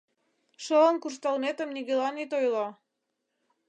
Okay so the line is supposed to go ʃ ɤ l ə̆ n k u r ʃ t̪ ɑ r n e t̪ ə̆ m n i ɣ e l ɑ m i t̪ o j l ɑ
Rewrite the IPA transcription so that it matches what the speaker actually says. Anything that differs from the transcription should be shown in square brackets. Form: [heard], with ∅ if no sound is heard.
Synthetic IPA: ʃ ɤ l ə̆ n k u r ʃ t̪ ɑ [l] n e t̪ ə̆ m n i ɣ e l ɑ [n] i t̪ o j l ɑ